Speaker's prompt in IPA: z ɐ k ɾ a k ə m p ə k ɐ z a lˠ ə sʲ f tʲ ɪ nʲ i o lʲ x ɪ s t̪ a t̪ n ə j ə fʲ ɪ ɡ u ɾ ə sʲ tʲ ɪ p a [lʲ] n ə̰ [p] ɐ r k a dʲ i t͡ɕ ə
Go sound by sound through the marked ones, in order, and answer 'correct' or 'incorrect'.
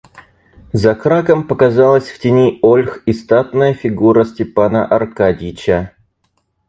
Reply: incorrect: none, incorrect: ʔ

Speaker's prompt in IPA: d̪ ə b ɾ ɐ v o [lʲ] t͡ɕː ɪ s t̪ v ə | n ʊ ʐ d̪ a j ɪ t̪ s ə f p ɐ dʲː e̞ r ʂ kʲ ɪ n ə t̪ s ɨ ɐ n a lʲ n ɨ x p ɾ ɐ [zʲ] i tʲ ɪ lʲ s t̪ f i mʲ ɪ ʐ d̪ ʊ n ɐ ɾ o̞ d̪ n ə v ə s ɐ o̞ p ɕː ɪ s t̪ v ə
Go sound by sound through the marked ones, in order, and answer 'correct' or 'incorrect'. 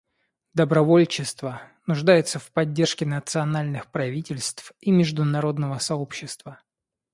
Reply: correct, incorrect: vʲ

